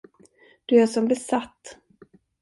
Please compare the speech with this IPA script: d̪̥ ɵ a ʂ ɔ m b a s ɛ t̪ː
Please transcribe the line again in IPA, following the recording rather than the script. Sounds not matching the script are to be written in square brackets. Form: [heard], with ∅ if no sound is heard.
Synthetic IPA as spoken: d̪̥ ɵ [æ] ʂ ɔ m b [ɛ] s [a] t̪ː